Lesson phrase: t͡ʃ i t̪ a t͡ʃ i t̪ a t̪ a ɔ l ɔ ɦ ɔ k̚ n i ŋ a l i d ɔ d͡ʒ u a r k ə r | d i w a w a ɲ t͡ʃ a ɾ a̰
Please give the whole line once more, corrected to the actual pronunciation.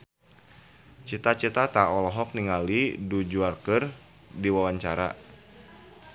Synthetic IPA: t͡ʃ i t̪ a t͡ʃ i t̪ a t̪ a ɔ l ɔ ɦ ɔ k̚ n i ŋ a l i d u d͡ʒ u a r k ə r | d i w a w a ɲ t͡ʃ a ɾ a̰